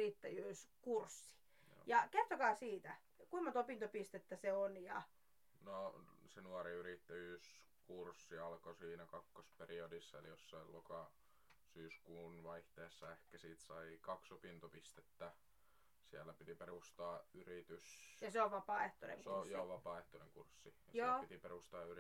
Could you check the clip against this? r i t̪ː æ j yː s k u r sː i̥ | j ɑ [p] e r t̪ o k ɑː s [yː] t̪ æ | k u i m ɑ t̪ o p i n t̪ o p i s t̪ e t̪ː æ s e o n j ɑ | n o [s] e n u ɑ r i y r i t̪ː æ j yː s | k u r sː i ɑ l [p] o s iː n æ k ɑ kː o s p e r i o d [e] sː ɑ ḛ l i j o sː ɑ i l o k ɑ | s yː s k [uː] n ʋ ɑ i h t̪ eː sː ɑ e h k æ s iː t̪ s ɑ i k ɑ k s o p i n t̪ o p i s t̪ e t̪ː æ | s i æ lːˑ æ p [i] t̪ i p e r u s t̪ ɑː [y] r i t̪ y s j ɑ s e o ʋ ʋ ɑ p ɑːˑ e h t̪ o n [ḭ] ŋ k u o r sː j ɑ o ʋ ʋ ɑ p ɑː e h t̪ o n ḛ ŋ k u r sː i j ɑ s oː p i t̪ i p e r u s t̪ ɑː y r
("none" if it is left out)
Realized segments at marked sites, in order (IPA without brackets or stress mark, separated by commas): k, iː, s, k, i, uː, i, y, ḛ